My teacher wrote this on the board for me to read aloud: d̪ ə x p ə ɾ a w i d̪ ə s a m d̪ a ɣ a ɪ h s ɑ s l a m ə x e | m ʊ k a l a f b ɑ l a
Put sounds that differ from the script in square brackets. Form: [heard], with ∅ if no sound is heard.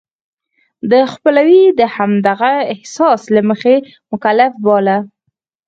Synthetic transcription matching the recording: d̪ ə x p ə [l] a w i d̪ ə [h] a m d̪ a ɣ a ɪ h s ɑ s l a m ə x e | m ʊ k a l a f b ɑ l a